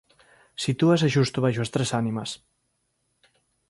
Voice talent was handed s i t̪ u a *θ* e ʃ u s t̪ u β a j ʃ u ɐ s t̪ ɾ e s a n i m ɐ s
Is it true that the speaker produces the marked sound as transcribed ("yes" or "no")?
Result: no